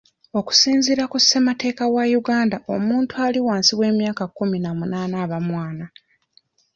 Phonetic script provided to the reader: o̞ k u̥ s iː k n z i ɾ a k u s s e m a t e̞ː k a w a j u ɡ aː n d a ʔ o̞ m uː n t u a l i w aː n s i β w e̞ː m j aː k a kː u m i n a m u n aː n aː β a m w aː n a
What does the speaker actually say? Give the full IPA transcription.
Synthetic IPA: o̞ k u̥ s iː n z i ɾ a k u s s e m a t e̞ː k a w a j u ɡ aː n d a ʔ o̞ m uː n t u a l i w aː n s i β w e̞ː m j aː k a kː u m i n a m u n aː n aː β a m w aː n a